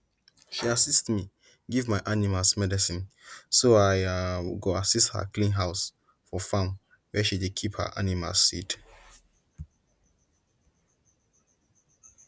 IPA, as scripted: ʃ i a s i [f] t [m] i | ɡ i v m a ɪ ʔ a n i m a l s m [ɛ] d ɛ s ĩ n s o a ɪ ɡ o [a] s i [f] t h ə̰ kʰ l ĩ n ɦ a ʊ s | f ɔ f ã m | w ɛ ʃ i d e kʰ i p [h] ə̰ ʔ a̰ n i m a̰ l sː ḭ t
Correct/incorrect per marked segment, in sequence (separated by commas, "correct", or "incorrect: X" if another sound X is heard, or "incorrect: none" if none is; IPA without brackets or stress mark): incorrect: s, correct, correct, correct, incorrect: s, correct